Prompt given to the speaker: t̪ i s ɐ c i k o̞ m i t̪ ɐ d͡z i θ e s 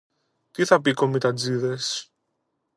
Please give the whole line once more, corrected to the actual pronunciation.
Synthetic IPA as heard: t̪ i θ ɐ p i k o̞ m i t̪ ɐ d͡z i ð e s